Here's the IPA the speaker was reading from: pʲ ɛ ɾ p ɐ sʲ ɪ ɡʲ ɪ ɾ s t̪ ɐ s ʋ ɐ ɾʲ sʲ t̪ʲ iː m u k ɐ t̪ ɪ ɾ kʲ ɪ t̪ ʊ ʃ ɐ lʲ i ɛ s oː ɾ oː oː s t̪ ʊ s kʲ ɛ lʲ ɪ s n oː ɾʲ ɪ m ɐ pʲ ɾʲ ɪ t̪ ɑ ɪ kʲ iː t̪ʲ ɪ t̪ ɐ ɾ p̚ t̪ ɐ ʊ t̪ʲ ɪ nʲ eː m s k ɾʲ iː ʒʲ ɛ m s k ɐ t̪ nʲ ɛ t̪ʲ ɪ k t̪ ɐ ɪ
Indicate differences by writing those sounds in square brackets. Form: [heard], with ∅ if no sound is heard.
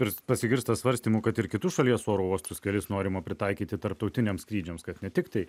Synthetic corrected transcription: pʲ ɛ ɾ p ɐ sʲ ɪ ɡʲ ɪ ɾ s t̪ ɐ s ʋ ɐ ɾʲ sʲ t̪ʲ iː m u k ɐ t̪ ɪ ɾ kʲ ɪ t̪ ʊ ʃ ɐ lʲ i ɛ s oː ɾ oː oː s t̪ ʊ s kʲ ɛ lʲ ɪ s n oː ɾʲ ɪ m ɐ pʲ ɾʲ ɪ t̪ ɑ ɪ kʲ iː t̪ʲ ɪ t̪ ɐ ɾ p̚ t̪ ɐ ʊ t̪ʲ ɪ nʲ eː m s k ɾʲ iː [d͡ʒʲ] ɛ m s k ɐ t̪ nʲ ɛ t̪ʲ ɪ k t̪ ɐ ɪ